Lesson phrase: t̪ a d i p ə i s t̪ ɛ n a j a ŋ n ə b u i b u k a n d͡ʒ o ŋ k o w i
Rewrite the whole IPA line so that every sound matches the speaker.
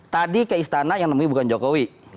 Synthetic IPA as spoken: t̪ a d i k ə i s t̪ a n a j a ŋ n ə m u i b u k a n d͡ʒ o k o w i